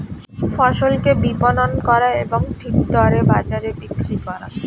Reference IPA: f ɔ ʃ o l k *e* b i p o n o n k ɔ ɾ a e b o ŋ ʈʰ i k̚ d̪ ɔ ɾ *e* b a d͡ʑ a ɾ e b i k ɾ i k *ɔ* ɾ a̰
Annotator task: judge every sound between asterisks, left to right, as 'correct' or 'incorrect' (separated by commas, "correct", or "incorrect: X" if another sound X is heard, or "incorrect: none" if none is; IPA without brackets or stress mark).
correct, correct, correct